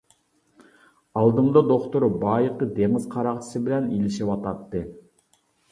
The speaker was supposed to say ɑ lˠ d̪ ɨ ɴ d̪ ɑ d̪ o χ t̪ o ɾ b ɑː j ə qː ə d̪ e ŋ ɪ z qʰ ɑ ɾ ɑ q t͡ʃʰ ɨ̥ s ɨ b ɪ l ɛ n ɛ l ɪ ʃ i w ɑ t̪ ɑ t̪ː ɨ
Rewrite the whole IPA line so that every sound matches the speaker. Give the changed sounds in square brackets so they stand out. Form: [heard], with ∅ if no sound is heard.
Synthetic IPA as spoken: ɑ lˠ d̪ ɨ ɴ d̪ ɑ d̪ o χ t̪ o ɾ b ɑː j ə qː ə d̪ e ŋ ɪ z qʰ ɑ ɾ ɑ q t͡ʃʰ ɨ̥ s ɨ b ɪ l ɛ n [i] l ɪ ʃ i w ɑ t̪ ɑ t̪ː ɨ

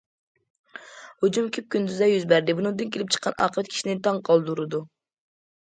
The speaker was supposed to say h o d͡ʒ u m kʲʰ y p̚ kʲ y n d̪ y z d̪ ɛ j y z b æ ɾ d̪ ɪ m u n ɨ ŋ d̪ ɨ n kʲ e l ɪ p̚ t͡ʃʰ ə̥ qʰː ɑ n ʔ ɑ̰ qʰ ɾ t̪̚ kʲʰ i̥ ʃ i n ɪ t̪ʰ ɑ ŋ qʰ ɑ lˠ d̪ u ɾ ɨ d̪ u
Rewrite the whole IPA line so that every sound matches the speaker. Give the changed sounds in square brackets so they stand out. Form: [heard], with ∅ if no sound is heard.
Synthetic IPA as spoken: h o d͡ʒ u m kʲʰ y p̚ kʲ y n d̪ y z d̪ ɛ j y z b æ ɾ d̪ ɪ [b] u n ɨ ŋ d̪ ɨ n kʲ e l ɪ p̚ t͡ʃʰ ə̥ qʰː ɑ n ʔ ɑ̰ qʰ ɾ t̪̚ kʲʰ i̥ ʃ i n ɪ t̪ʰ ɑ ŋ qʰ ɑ lˠ d̪ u ɾ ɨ d̪ u

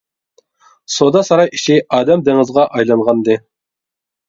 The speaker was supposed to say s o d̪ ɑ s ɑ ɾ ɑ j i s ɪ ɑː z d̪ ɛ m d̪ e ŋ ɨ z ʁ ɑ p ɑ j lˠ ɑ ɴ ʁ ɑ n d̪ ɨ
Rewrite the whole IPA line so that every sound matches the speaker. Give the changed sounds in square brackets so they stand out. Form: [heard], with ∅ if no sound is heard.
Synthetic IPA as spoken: s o d̪ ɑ s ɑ ɾ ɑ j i [ʃ] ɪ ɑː [∅] d̪ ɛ m d̪ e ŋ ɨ z ʁ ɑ [ʔ] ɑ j lˠ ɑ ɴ ʁ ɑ n d̪ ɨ

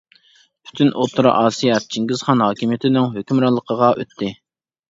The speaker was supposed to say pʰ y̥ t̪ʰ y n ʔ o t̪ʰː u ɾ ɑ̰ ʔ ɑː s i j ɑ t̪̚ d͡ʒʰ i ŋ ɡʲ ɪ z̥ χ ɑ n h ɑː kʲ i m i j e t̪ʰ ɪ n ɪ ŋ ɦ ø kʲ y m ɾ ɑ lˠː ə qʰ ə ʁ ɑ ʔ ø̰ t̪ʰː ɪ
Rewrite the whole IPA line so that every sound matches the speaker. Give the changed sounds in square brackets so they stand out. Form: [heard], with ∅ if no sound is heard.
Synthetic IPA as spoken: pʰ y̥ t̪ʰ y n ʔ o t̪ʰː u ɾ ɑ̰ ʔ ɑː s i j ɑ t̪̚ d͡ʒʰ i ŋ ɡʲ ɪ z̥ χ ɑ n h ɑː kʲ i m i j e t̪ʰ ɪ n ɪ ŋ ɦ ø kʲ y m ɾ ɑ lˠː ə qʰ ə ʁ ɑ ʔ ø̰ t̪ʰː ɪ

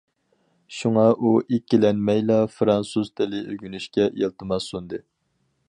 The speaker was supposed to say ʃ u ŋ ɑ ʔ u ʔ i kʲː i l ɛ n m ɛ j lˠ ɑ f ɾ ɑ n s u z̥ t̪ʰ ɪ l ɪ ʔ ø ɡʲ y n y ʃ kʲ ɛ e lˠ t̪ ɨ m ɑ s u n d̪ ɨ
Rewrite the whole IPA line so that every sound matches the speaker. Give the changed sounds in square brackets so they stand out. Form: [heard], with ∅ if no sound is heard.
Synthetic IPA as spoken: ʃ u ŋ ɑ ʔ u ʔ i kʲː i l ɛ n m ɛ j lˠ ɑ f ɾ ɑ n s u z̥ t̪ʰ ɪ l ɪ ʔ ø ɡʲ y n y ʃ kʲ ɛ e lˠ t̪ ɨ m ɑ s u n d̪ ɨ

